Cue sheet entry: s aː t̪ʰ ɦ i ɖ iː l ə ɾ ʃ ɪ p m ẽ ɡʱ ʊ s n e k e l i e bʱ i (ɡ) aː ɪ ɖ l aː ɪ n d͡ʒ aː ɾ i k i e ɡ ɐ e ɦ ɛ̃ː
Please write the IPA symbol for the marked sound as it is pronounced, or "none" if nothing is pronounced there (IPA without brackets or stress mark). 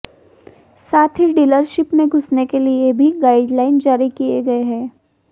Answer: ɡ